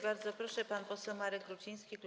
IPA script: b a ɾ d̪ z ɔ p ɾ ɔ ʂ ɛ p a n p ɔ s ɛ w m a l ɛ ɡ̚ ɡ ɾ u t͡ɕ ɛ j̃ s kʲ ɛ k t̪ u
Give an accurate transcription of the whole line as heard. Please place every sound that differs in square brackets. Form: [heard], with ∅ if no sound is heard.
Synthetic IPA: b a ɾ d̪ z ɔ p ɾ ɔ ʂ ɛ p a n p ɔ s ɛ w m a [ɾ] ɛ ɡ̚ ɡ ɾ u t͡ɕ [i] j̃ s kʲ [i] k t̪ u